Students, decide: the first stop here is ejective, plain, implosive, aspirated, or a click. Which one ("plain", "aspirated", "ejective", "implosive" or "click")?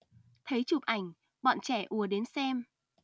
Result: aspirated